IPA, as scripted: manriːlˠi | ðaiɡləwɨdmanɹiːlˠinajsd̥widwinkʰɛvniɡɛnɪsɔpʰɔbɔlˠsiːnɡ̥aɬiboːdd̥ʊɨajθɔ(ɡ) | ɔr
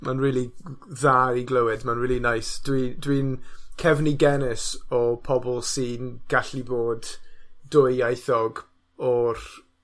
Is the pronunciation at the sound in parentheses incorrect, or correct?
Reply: correct